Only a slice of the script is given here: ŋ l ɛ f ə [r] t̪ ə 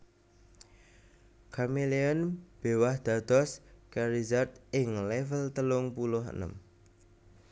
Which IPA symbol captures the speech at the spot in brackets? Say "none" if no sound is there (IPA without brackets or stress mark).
l